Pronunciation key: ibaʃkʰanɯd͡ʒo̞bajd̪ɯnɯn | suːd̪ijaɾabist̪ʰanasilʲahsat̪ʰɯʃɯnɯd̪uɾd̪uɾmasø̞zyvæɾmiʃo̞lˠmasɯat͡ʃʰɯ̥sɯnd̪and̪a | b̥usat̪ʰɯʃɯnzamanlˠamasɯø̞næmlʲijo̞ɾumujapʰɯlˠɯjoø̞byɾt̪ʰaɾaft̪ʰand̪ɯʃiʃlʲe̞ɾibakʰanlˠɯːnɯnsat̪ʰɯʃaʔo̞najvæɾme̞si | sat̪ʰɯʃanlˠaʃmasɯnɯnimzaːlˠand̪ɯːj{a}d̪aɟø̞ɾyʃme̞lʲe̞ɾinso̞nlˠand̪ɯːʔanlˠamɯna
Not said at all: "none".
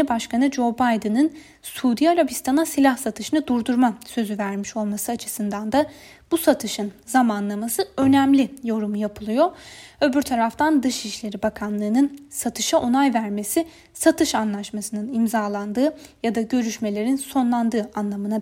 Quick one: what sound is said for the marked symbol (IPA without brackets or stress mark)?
a